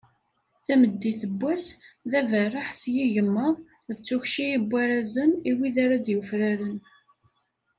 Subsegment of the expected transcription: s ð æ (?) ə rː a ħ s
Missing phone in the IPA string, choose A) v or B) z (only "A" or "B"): A